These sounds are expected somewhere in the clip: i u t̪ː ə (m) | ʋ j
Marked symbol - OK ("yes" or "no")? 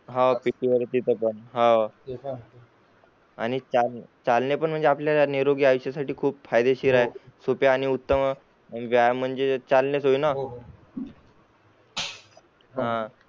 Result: yes